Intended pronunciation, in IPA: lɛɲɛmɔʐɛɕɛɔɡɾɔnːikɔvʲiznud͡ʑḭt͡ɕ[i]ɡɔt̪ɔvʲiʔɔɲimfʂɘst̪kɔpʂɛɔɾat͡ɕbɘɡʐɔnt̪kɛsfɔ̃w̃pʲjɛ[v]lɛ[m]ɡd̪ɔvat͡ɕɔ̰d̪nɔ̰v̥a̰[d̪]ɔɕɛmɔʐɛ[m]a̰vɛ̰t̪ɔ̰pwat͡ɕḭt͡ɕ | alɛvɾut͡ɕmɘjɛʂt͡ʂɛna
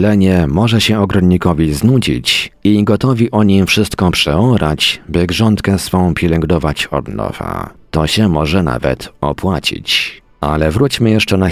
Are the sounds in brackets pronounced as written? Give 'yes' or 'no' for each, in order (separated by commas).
yes, no, no, no, no